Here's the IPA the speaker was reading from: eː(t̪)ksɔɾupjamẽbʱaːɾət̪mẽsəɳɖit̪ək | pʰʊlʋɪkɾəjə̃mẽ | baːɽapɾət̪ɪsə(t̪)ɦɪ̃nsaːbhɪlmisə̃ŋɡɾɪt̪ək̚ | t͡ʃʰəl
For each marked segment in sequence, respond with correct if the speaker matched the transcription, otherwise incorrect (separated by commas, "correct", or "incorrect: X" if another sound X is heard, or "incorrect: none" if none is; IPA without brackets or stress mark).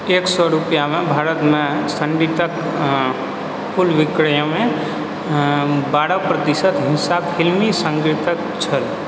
incorrect: none, correct